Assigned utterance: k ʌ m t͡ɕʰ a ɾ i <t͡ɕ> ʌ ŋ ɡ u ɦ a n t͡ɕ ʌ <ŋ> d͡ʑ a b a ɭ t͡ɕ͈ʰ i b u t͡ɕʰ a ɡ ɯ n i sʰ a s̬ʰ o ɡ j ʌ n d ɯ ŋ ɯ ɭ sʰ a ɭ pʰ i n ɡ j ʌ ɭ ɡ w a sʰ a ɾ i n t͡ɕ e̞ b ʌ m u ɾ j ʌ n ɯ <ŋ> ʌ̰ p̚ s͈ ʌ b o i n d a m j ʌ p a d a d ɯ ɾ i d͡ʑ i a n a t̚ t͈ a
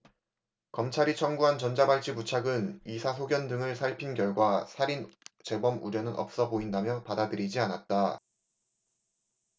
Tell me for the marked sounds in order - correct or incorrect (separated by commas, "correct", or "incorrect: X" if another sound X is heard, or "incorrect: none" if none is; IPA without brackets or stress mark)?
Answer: incorrect: t͡ɕʰ, incorrect: n, incorrect: n